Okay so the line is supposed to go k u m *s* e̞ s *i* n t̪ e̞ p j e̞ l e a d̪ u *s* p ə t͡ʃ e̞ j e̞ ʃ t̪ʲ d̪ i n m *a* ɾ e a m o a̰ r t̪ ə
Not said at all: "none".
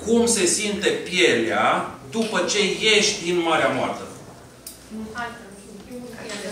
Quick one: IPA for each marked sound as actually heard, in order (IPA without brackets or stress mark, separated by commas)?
s, i, none, a